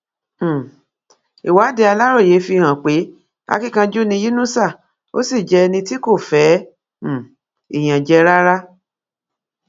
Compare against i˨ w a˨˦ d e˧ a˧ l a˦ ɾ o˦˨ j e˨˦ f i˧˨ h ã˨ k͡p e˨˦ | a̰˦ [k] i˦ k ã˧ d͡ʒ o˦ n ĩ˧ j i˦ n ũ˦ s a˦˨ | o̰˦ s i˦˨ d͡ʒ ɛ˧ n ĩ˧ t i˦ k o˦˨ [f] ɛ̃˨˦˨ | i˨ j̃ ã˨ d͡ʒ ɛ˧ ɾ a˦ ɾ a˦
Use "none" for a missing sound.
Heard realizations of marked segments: k, f

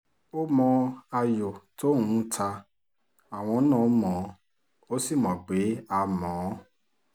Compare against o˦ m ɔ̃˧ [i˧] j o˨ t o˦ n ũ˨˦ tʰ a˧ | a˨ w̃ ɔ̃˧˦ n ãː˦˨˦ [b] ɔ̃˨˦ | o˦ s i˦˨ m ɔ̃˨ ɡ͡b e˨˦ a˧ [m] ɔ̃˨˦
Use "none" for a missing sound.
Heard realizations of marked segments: a˧, m, m

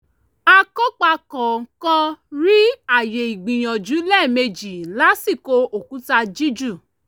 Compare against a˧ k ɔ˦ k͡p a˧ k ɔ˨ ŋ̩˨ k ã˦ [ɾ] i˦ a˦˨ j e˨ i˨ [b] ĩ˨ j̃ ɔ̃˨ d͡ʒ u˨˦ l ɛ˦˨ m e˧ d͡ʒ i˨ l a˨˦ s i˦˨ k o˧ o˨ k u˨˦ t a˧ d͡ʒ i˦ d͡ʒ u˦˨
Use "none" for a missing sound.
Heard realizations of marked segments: ɾ, ɡ͡b

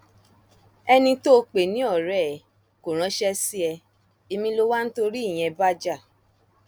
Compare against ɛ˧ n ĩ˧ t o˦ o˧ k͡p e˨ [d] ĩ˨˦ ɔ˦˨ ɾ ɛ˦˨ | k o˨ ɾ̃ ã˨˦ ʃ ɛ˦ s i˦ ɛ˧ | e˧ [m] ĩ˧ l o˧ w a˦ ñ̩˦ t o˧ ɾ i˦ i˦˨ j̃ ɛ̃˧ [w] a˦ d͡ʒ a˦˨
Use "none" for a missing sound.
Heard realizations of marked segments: n, m, b

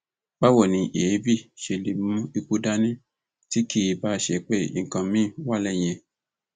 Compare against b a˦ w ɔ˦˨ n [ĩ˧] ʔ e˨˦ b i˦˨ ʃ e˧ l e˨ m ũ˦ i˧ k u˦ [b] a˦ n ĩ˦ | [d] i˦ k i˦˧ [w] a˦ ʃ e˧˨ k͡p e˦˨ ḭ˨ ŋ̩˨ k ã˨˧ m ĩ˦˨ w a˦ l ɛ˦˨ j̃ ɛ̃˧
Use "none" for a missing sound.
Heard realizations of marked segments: ĩ˧, d, t, b

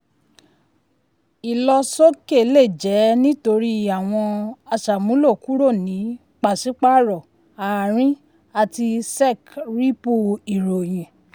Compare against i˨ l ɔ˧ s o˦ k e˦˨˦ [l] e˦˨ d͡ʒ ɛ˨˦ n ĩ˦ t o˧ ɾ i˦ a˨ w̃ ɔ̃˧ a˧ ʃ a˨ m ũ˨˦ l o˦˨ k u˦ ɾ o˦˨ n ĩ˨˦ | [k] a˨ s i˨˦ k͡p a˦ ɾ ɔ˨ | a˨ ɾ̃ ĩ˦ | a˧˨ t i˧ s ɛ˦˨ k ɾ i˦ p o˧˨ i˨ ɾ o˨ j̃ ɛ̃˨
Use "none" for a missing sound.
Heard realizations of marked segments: l, k͡p

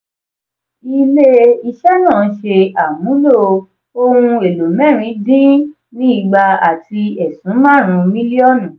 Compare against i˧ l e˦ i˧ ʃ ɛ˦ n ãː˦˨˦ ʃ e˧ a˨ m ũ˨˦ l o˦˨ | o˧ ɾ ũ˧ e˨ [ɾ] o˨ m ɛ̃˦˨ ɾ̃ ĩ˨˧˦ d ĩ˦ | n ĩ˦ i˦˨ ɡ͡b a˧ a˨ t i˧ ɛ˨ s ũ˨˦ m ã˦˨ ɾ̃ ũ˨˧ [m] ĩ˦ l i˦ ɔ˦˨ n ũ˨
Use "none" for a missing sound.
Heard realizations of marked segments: l, m

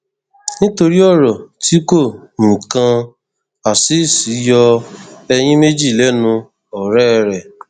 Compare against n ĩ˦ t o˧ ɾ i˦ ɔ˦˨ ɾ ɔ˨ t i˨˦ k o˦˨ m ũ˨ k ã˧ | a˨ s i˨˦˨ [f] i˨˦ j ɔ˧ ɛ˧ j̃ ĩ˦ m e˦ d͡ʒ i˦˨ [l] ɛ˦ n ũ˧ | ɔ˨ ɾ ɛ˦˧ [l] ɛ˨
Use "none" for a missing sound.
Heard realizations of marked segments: s, l, ɾ

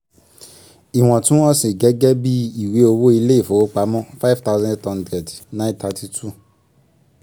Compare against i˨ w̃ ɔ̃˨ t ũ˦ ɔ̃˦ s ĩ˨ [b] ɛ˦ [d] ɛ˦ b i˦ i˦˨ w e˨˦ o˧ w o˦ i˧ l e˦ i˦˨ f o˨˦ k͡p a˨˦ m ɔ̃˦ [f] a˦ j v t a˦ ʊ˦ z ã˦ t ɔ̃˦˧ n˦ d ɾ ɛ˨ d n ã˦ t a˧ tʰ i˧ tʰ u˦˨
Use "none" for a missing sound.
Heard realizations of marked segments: ɡ, ɡ, f

